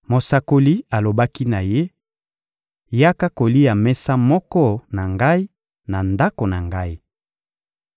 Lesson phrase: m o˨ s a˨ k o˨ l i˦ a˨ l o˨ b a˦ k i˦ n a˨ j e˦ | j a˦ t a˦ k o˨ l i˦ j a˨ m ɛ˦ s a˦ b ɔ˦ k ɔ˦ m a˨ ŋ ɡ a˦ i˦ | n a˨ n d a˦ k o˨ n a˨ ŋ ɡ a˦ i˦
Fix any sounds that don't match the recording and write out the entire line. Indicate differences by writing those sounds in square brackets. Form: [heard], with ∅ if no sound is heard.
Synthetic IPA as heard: m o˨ s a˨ k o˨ l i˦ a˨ l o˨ b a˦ k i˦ n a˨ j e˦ | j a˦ [k] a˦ k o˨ l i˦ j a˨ m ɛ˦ s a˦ [m] ɔ˦ k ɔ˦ [n] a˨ ŋ ɡ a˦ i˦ | n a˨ n d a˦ k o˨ n a˨ ŋ ɡ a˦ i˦